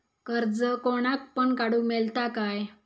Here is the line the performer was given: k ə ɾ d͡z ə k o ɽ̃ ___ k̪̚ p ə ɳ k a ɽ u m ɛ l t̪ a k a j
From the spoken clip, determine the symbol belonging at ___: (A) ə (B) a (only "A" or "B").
B